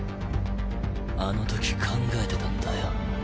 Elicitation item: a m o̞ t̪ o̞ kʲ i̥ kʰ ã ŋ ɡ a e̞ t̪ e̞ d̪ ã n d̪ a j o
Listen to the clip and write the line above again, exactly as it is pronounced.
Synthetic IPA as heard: a n o̞ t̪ o̞ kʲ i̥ kʰ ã ŋ ɡ a e̞ t̪ e̞ t̪ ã n d̪ a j o